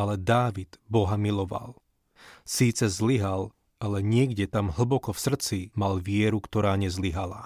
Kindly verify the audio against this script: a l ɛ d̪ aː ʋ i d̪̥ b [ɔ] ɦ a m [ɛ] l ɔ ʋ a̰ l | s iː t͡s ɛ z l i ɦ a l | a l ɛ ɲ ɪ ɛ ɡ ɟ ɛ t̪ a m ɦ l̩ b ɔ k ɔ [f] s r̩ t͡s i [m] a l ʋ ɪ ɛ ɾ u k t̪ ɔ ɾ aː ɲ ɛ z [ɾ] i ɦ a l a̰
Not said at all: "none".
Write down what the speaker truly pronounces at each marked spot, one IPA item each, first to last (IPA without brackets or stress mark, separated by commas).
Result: ɔ, i, f, m, l